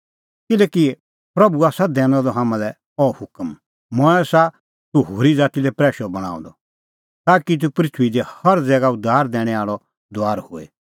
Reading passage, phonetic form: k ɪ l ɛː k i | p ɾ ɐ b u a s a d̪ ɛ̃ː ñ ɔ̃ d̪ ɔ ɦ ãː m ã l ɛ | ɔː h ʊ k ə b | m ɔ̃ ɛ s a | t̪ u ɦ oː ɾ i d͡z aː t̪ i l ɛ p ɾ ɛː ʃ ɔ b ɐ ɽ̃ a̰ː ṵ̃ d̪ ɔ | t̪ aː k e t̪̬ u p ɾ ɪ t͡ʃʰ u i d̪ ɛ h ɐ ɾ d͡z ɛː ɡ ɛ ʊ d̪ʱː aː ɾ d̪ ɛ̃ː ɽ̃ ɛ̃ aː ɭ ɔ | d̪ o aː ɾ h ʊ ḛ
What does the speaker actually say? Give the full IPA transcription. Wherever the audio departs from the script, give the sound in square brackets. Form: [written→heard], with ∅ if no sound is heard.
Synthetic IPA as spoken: k ɪ l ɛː k i | p ɾ ɐ b u a s a d̪ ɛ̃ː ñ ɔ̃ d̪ ɔ ɦ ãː m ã l ɛ | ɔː h ʊ k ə [b→m] | m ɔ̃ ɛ s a | t̪ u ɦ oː ɾ i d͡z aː t̪ i l ɛ p ɾ ɛː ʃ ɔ b ɐ ɽ̃ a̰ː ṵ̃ d̪ ɔ | t̪ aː k [e→i] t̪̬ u p ɾ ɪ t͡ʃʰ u i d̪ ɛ h ɐ ɾ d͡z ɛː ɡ [ɛ→a] ʊ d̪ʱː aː ɾ d̪ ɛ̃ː ɽ̃ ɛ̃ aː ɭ ɔ | d̪ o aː ɾ h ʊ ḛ